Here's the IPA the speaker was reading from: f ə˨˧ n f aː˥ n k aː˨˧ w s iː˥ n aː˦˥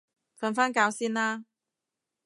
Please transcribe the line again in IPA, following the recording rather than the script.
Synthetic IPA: f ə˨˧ n f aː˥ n k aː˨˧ w s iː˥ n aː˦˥